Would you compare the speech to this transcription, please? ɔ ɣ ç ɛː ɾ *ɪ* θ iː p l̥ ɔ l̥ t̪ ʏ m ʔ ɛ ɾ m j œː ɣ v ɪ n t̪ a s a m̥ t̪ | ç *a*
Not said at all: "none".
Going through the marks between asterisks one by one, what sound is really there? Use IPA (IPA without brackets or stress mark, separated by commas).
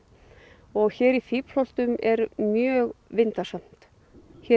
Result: i, ɛ